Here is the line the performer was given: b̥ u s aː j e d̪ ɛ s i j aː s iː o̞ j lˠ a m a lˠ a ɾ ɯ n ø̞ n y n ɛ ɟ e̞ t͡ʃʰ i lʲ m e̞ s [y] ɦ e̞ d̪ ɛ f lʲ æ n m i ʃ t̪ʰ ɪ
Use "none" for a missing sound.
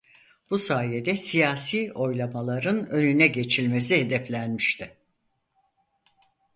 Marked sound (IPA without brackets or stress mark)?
i